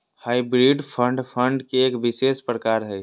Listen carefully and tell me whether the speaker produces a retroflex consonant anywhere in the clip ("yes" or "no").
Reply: yes